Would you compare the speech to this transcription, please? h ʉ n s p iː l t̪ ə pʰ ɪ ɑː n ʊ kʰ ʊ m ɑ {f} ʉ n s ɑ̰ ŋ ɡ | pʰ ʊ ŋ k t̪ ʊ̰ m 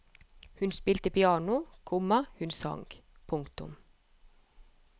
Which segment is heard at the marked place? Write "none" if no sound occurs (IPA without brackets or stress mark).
h